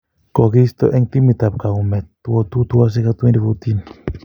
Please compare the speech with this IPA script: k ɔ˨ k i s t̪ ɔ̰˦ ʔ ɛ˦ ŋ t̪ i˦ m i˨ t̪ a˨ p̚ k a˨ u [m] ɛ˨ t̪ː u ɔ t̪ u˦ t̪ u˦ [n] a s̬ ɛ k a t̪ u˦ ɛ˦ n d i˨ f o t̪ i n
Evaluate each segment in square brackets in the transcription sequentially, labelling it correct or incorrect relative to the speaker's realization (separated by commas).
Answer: correct, incorrect